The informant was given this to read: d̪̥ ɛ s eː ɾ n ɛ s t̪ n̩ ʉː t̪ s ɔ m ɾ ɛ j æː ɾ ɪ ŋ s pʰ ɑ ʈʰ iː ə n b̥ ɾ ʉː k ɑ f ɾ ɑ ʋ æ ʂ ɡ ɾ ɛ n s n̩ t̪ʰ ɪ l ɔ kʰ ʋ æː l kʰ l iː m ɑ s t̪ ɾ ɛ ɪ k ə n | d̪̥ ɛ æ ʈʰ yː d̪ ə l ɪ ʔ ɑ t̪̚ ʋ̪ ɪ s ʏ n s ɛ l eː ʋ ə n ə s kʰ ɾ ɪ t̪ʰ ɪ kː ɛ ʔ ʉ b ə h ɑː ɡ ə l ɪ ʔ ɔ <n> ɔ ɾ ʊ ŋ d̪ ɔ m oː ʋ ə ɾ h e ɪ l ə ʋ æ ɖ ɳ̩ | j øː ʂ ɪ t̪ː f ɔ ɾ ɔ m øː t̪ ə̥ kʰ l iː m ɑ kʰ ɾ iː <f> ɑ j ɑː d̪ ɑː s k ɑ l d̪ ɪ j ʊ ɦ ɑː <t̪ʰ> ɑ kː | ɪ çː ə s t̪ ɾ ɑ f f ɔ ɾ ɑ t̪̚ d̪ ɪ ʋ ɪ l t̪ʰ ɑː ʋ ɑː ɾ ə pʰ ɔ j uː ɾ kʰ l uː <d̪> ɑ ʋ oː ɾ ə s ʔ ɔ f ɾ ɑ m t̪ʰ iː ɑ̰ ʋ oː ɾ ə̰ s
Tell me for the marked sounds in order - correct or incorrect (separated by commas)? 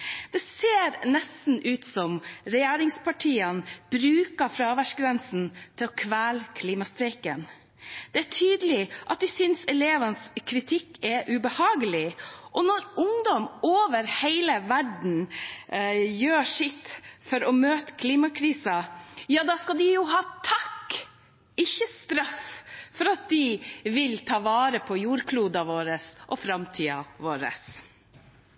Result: correct, incorrect, correct, correct